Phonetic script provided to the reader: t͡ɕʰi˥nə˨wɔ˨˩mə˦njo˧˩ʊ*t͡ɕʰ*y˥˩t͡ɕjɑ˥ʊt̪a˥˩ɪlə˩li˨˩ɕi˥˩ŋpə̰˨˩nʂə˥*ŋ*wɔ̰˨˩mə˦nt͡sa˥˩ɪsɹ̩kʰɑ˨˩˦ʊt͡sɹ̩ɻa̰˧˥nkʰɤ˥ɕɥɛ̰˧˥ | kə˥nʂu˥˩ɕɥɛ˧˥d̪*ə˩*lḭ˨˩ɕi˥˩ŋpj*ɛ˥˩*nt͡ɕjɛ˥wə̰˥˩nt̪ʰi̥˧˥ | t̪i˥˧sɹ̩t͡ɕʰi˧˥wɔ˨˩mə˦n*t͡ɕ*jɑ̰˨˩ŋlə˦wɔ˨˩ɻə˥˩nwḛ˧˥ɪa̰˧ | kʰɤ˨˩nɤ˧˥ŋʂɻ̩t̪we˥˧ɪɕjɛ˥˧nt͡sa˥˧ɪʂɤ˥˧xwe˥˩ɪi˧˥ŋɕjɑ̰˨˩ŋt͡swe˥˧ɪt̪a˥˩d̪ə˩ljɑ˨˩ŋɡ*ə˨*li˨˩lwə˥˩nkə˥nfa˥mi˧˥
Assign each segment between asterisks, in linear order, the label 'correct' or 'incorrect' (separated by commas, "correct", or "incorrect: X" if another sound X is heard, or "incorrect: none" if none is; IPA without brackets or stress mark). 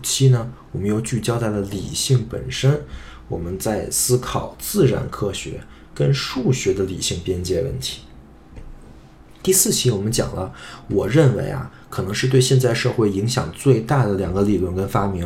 incorrect: t͡ɕ, incorrect: n, incorrect: ə˧, incorrect: ɛ˥, correct, incorrect: ə˦